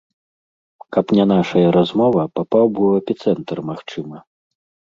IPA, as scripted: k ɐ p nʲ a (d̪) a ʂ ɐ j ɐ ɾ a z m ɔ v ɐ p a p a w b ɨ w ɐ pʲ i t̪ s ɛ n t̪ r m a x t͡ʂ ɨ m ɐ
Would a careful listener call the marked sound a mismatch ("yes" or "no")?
yes